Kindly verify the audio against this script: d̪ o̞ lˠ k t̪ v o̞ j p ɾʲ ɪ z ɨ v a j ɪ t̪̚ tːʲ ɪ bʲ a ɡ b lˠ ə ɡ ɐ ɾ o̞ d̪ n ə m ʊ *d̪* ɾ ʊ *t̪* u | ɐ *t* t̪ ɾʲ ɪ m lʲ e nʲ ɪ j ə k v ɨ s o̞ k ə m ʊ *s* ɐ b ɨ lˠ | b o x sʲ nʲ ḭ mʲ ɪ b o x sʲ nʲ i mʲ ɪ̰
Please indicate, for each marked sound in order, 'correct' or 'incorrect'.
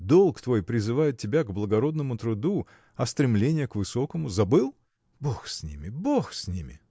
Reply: incorrect: t̪, incorrect: d̪, incorrect: s, incorrect: z

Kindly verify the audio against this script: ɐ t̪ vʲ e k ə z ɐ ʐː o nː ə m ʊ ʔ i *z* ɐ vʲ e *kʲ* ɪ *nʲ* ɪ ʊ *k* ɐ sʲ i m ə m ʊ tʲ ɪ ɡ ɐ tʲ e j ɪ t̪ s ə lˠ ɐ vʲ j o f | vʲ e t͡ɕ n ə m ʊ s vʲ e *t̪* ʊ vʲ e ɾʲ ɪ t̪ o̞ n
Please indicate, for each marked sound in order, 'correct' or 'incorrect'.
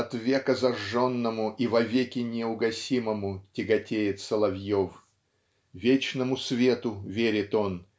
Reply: incorrect: v, correct, correct, incorrect: ɡ, correct

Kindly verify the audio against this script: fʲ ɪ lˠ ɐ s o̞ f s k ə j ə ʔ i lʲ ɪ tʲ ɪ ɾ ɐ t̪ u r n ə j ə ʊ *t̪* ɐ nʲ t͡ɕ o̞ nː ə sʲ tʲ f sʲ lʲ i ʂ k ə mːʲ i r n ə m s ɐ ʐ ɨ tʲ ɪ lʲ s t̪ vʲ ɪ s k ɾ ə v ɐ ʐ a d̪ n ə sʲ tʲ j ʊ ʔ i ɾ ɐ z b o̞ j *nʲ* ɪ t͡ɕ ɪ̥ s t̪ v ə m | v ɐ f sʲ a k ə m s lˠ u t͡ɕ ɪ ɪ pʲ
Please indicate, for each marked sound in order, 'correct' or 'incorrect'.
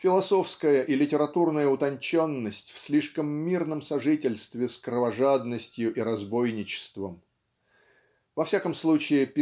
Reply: correct, correct

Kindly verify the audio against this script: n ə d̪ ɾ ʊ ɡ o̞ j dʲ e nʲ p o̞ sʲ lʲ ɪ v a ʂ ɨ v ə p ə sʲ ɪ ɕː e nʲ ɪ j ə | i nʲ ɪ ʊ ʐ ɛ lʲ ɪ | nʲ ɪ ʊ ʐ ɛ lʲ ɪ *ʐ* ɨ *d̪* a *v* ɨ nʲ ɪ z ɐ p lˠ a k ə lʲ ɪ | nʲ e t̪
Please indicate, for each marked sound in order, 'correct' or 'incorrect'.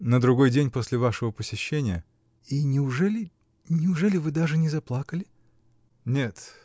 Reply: incorrect: v, correct, incorrect: ʐ

